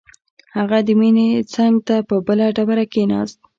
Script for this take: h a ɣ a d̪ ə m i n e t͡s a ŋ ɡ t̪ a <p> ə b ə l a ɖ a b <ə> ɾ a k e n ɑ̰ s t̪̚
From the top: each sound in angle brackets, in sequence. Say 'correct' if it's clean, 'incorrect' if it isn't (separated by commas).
correct, incorrect